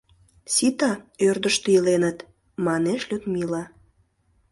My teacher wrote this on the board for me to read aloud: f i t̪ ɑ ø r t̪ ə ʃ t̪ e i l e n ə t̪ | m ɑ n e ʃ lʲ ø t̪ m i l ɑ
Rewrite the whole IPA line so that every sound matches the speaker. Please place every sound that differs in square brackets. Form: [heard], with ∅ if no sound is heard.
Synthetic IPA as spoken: [s] i t̪ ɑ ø r [d̪] ə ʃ t̪ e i l e n ə t̪ | m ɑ n e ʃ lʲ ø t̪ m i l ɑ